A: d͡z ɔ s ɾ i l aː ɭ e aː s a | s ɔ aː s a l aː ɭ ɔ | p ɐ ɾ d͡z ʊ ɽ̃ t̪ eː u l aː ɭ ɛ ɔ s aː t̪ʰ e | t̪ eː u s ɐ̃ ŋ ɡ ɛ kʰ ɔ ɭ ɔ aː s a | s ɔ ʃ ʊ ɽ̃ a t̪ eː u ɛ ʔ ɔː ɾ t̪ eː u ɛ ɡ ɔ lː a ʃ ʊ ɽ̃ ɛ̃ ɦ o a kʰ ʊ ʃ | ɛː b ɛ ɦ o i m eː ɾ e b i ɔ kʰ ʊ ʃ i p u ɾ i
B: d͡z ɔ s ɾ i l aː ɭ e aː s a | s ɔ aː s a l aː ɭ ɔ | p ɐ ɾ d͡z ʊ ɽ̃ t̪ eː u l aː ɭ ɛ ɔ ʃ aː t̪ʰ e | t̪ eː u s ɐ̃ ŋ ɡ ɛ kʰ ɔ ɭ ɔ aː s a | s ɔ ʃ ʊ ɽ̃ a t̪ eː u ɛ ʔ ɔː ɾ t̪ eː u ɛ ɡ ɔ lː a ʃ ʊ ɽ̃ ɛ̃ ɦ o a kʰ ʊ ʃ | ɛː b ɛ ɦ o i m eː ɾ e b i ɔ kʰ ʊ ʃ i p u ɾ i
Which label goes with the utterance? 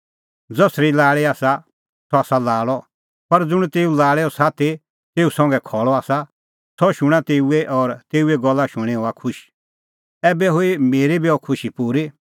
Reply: A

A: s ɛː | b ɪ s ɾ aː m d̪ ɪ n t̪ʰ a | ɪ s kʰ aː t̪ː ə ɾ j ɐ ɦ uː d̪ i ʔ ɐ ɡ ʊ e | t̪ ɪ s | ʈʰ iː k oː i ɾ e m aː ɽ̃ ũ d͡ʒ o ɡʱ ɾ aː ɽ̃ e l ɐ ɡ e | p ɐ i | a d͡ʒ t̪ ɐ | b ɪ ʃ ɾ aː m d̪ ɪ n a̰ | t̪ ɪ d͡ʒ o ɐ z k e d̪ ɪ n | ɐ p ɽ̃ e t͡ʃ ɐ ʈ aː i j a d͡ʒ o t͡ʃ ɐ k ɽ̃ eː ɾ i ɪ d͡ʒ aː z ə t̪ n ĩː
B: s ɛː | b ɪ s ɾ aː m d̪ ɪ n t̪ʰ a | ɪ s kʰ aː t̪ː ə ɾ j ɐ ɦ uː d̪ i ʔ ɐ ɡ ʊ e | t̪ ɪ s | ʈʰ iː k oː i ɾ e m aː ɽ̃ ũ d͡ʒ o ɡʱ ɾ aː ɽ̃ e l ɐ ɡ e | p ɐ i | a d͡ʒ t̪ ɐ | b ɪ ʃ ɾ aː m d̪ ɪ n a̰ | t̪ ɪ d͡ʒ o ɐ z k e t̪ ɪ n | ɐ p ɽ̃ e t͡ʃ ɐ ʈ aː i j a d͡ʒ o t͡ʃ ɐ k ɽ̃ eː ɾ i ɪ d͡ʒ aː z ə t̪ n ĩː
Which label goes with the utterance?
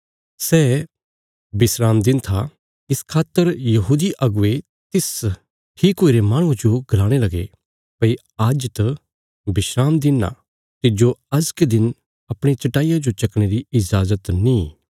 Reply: A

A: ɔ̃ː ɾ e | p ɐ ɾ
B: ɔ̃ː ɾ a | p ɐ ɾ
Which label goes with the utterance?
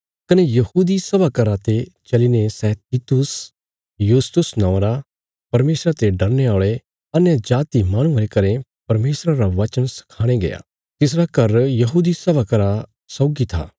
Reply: B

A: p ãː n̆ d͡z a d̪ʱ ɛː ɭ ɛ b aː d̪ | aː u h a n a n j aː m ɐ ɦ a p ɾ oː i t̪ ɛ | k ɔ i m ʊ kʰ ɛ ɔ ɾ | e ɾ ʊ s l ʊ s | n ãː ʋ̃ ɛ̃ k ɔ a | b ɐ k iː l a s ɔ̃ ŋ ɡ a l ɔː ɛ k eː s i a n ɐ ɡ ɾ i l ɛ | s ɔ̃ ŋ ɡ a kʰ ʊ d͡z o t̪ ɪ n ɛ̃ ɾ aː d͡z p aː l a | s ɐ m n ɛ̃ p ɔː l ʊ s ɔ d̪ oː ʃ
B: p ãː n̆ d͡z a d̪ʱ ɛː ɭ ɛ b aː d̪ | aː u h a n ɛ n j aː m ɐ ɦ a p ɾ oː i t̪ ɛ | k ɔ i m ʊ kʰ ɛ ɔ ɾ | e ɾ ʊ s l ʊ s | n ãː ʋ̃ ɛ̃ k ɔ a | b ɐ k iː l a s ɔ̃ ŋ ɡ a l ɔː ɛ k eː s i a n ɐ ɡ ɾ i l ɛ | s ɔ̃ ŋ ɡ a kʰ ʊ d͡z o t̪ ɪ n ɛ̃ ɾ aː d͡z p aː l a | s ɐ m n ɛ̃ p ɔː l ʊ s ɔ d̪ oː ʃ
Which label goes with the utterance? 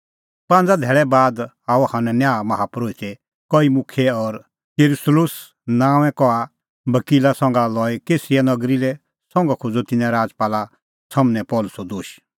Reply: B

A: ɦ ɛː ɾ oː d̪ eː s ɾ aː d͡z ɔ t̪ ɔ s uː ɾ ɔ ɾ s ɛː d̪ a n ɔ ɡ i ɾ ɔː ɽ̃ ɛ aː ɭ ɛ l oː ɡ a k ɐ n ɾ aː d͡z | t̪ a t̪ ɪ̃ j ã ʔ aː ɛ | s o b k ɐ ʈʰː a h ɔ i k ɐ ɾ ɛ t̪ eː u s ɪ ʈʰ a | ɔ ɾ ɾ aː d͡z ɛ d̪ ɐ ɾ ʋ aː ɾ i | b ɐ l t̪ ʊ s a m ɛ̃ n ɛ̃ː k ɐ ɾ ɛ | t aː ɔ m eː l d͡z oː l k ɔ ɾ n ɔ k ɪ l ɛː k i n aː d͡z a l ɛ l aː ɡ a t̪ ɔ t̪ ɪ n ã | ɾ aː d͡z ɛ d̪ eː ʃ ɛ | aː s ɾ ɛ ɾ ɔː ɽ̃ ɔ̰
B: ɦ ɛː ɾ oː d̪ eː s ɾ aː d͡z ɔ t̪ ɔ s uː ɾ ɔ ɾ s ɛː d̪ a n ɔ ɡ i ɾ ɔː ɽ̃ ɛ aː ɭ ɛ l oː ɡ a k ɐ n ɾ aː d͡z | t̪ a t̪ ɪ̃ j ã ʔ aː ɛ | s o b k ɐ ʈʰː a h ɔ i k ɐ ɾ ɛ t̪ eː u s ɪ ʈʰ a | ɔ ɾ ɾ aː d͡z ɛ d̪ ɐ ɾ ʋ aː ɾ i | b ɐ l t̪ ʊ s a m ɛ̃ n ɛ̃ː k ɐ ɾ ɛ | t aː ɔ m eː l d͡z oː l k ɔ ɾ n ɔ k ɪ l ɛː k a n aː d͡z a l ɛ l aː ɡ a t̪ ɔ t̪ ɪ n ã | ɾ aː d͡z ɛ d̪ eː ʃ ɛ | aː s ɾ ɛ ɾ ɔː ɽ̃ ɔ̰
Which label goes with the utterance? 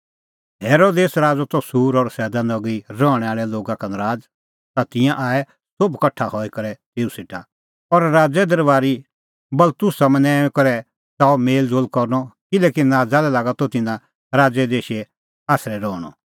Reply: A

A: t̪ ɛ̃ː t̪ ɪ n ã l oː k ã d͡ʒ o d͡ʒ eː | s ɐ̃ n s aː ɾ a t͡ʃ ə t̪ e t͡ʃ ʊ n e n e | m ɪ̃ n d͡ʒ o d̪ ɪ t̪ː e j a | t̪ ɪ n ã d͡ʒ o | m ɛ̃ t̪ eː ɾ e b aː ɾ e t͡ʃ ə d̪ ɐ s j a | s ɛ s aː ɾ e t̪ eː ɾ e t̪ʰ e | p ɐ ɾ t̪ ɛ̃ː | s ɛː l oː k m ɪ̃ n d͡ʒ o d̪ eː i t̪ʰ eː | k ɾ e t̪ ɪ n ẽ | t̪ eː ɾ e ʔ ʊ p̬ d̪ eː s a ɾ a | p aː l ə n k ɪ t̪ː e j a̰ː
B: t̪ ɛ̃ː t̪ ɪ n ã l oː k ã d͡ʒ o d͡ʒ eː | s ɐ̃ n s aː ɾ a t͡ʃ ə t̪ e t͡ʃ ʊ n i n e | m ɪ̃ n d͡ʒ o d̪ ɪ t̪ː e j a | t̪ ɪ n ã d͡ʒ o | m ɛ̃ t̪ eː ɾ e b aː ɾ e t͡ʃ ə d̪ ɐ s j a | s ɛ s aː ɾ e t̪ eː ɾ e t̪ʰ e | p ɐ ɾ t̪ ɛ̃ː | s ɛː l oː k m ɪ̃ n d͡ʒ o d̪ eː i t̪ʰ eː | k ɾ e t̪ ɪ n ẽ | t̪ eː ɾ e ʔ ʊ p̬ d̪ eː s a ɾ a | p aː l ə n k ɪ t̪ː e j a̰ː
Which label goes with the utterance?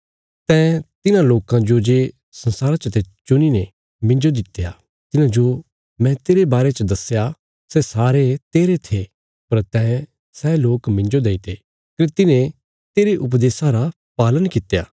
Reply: B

